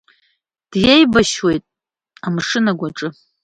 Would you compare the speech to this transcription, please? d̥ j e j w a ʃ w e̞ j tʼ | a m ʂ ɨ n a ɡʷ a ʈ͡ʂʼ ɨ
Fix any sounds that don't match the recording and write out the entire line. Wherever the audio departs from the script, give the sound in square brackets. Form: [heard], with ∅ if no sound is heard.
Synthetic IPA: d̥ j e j [b] a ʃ w e̞ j tʼ | a m ʂ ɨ n a ɡʷ a ʈ͡ʂʼ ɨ